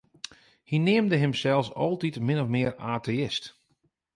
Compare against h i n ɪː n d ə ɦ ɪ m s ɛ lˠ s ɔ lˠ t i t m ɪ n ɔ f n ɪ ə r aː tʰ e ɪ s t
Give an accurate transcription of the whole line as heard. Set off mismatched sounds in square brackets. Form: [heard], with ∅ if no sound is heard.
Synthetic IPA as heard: h i n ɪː [m] d ə ɦ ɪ m s ɛ lˠ s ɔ lˠ t i t m ɪ n ɔ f [m] ɪ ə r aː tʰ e ɪ s t

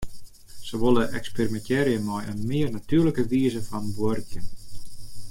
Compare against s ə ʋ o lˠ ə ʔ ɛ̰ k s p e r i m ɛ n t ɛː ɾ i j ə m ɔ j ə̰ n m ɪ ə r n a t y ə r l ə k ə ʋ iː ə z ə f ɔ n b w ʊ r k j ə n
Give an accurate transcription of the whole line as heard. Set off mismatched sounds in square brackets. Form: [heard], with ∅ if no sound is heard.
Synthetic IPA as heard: s ə ʋ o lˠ ə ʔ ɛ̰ k s p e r i m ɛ n t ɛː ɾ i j ə m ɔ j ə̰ n m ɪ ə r n a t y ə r l ə k ə ʋ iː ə z ə f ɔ n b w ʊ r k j ə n

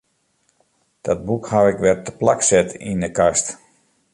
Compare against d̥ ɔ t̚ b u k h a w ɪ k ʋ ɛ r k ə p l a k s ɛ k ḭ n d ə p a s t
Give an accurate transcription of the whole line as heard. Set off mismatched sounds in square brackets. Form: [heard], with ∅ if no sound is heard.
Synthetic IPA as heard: d̥ ɔ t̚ b u k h a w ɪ k ʋ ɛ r [t] ə p l a k s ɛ [t] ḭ n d ə [k] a s t

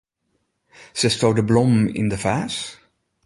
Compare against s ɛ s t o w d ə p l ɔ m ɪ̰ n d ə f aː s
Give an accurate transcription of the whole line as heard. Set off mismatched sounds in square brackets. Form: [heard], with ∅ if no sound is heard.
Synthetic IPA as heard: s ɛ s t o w d ə [b] l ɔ m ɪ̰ n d ə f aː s

